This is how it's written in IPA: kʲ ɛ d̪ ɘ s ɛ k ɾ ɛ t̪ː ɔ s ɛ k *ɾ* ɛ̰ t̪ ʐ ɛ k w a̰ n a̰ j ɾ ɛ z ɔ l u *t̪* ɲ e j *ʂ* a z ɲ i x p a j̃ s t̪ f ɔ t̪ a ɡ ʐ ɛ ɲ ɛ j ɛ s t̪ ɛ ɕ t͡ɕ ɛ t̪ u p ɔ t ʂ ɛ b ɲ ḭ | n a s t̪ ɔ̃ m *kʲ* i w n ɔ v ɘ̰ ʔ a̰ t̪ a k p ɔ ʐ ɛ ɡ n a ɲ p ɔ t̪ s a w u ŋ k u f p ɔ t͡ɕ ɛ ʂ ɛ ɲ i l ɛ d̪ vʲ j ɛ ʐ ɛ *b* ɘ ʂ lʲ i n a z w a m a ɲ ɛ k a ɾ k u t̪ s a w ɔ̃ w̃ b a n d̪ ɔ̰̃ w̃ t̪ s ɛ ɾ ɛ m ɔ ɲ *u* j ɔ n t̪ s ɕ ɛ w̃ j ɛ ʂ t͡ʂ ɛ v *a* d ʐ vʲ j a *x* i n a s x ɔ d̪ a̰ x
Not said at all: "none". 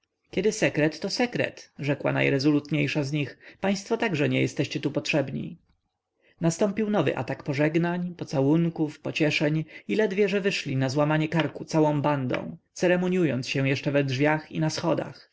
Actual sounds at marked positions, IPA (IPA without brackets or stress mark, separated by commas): ɾ, t̪, ʂ, pʲ, v, u, ɛ, x